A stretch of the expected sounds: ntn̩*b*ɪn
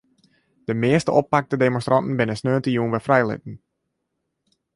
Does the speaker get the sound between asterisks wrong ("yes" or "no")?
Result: no